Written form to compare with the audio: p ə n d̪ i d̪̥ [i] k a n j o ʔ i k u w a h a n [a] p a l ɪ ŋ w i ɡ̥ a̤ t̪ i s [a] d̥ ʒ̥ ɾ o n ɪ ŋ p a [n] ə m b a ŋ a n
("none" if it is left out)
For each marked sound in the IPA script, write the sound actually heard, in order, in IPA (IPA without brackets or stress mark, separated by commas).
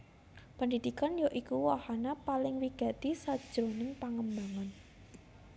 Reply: i, a, a, ŋ